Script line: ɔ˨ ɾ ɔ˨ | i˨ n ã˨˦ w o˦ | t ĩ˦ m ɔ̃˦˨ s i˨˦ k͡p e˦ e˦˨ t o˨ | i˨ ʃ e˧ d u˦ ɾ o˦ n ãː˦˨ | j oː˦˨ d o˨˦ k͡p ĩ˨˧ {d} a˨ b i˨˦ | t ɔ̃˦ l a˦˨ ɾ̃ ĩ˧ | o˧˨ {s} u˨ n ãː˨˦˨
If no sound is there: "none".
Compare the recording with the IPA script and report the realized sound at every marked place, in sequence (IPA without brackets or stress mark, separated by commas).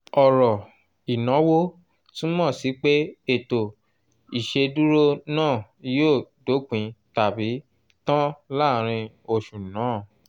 t, ʃ